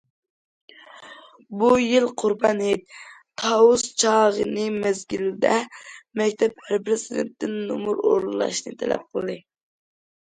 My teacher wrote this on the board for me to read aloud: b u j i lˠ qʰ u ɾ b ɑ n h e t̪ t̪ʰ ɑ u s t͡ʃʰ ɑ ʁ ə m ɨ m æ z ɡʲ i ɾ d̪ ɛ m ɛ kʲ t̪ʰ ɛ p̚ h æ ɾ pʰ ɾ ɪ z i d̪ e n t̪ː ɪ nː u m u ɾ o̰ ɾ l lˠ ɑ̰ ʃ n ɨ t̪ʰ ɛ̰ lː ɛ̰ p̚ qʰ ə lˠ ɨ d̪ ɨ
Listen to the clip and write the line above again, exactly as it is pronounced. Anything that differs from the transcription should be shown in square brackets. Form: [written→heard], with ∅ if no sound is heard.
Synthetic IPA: b u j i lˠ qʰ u ɾ b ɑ n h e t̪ t̪ʰ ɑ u s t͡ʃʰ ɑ ʁ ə [m→n] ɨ m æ z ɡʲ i [ɾ→l] d̪ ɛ m ɛ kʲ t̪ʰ ɛ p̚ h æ ɾ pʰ ɾ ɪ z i d̪ e n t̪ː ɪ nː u m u ɾ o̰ ɾ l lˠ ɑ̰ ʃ n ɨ t̪ʰ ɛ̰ [lː→l] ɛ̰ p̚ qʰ ə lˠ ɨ d̪ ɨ